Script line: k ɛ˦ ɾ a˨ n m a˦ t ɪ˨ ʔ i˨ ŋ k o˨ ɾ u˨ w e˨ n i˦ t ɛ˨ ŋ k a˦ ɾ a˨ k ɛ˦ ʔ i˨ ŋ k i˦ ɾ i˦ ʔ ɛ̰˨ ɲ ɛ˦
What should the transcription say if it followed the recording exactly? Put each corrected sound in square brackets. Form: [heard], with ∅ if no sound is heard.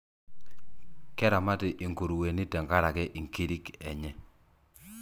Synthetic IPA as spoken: k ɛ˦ ɾ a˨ [∅] m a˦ t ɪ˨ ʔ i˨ ŋ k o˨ ɾ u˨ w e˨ n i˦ t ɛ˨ ŋ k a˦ ɾ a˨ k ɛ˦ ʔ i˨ ŋ k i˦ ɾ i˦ [k] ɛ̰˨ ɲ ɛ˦